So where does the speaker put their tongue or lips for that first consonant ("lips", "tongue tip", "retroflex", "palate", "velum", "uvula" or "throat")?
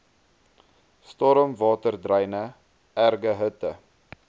tongue tip